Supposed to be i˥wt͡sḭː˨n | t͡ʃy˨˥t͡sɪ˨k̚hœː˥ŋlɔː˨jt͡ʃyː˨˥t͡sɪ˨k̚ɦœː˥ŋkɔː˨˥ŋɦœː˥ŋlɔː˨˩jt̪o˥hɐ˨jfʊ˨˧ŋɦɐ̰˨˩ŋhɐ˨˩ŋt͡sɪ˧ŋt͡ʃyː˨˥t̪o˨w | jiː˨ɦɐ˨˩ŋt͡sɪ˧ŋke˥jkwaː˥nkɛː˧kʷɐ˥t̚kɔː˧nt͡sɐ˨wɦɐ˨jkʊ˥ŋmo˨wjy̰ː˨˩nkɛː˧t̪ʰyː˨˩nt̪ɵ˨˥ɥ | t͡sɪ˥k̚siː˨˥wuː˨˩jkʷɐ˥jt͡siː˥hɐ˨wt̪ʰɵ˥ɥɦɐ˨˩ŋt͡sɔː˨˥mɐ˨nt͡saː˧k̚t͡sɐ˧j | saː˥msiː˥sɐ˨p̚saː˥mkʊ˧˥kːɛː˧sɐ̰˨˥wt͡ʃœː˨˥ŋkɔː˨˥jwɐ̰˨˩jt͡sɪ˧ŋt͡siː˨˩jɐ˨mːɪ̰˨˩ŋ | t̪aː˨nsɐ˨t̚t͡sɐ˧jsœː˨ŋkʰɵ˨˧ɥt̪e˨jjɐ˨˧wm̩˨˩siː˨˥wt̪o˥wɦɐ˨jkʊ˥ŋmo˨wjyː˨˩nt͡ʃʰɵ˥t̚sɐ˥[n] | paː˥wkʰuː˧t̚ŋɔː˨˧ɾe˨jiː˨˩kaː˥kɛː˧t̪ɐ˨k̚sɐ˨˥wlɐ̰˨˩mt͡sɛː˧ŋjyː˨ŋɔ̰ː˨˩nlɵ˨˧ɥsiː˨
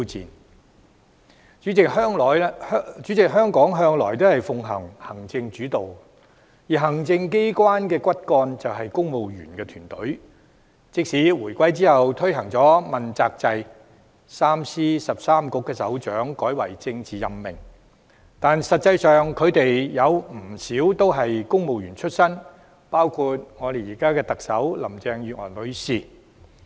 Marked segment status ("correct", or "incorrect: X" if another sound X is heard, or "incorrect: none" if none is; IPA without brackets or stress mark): correct